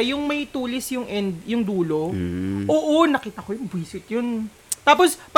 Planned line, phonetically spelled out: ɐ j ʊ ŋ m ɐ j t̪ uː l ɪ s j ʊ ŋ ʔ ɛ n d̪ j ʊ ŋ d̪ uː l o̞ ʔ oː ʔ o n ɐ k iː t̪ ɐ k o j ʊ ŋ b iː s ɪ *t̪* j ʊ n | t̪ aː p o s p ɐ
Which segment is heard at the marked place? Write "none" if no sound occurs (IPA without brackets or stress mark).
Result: t̪